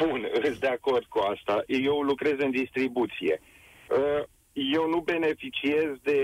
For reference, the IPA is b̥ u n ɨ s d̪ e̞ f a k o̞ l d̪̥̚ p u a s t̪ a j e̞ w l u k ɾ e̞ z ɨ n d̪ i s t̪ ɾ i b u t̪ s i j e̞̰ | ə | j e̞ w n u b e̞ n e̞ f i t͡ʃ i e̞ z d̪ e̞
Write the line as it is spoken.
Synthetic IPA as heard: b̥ u n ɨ s d̪ e̞ a k o̞ r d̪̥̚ k u a s t̪ a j e̞ w l u k ɾ e̞ z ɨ n d̪ i s t̪ ɾ i b u t̪ s i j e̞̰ | ə | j e̞ w n u b e̞ n e̞ f i t͡ʃ i e̞ z d̪ e̞